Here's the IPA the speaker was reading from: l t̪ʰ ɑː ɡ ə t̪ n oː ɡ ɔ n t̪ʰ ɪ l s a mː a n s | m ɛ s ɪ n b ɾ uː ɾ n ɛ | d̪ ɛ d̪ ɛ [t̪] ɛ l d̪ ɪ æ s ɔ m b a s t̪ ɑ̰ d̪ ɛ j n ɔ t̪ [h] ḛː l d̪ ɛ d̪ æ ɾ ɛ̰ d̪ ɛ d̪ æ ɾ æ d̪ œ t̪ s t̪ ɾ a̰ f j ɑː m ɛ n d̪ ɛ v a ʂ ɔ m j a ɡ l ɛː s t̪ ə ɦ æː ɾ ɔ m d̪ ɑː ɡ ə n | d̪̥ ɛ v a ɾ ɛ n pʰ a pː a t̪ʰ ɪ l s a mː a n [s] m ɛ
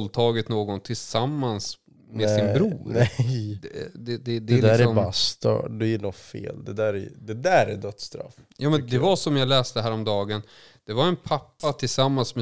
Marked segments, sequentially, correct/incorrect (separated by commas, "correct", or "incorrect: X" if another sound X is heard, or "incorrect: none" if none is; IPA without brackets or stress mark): incorrect: d̪, incorrect: f, correct